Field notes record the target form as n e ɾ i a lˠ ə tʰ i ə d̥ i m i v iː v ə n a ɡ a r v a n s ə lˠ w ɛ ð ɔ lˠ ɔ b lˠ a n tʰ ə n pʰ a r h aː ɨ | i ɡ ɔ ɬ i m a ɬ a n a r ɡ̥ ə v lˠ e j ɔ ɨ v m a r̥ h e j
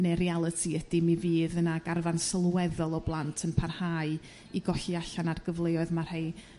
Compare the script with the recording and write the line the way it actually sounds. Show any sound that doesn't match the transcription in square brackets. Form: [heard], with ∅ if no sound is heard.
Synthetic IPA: n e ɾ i a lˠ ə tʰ i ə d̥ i m i v iː [ð] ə n a ɡ a r v a n s ə lˠ w ɛ ð ɔ lˠ ɔ b lˠ a n tʰ ə n pʰ a r h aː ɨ | i ɡ ɔ ɬ i [∅] a ɬ a n a r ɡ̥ ə v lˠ e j ɔ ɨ [ð] m a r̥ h e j